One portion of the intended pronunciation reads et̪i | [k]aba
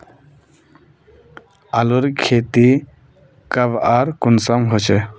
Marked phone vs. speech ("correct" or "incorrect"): correct